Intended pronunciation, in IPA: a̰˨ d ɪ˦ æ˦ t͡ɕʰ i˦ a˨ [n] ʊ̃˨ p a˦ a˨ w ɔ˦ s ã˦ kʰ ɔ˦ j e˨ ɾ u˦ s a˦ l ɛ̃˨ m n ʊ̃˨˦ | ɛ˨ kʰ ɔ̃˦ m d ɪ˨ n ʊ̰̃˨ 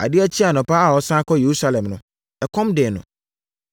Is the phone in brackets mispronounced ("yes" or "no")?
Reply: no